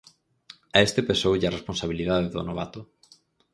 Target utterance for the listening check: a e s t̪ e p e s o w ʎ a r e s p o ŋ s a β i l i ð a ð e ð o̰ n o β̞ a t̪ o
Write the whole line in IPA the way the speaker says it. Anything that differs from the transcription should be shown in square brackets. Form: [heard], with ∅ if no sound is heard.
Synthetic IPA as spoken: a e s t̪ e p e s o w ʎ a r e s p o [n] s a β i l i ð a ð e ð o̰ n o β̞ a t̪ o